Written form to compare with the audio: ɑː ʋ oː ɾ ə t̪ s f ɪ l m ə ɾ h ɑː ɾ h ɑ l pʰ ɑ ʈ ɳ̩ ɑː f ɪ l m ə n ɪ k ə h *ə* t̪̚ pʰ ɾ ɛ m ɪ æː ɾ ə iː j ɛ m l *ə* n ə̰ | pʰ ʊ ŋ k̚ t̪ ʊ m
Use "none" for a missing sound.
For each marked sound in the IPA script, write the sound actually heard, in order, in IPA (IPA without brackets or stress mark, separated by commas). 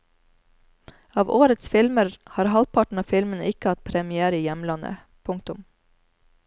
ɑ, ɑ